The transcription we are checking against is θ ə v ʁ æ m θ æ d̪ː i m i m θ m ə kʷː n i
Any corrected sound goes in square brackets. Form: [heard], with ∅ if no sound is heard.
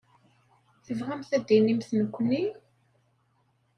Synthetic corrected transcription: θ ə v ʁ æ m θ æ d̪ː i [n] i m θ [n] ə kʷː n i